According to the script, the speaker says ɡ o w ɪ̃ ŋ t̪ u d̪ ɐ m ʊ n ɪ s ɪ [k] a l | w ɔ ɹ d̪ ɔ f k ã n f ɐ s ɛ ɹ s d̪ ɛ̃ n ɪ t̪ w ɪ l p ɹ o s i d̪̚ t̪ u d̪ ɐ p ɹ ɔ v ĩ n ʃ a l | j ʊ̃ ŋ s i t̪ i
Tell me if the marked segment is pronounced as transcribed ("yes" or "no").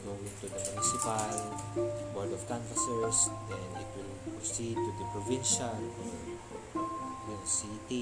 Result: no